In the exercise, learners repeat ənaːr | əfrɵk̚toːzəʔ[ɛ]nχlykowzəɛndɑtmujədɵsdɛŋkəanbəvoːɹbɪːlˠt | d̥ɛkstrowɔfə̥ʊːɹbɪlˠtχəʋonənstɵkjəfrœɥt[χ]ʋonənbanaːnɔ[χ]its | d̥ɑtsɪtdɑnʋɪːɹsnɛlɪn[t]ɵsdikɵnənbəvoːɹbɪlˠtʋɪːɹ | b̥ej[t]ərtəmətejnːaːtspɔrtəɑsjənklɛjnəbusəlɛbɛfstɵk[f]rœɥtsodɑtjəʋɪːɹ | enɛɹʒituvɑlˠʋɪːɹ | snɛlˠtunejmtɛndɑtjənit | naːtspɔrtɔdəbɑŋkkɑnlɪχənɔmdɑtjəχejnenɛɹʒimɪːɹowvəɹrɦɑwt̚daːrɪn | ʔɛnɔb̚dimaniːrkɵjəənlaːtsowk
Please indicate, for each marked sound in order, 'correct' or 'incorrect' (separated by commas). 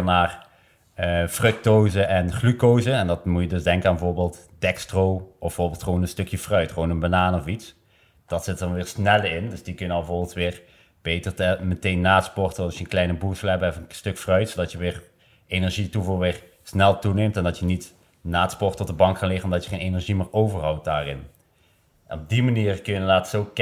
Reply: correct, correct, incorrect, incorrect, correct, correct